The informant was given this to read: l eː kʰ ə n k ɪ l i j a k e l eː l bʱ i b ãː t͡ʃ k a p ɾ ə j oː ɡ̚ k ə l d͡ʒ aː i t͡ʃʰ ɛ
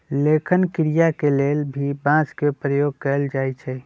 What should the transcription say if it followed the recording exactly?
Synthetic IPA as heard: l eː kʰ ə n k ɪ ɾ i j a k e l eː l bʱ i b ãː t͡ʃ k e p ɾ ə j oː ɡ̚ k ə l d͡ʒ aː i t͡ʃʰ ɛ